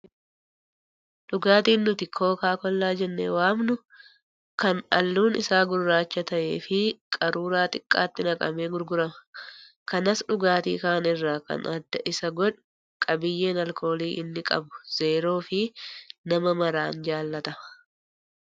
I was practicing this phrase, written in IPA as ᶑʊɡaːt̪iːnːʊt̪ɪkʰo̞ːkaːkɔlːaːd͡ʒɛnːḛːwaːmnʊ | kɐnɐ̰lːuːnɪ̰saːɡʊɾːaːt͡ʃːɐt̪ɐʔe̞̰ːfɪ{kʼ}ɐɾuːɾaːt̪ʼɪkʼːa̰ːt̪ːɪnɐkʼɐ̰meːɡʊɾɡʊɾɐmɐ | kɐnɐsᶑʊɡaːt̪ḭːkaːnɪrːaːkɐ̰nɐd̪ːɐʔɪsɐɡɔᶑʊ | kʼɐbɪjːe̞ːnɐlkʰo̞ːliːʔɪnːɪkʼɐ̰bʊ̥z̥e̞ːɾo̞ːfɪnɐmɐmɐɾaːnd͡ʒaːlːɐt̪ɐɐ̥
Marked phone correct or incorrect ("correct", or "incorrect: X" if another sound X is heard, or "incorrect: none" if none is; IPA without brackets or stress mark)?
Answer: correct